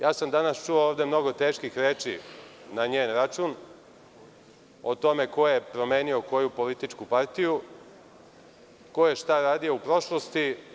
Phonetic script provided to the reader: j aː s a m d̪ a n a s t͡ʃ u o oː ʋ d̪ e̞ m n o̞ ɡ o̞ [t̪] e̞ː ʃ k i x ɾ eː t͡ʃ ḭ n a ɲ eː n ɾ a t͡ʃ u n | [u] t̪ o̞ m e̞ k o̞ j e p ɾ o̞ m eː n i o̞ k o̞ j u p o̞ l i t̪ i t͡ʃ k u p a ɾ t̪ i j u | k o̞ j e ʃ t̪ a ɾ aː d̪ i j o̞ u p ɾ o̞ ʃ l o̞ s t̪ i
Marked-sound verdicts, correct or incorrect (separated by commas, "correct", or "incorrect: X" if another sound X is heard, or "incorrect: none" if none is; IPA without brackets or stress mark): correct, incorrect: o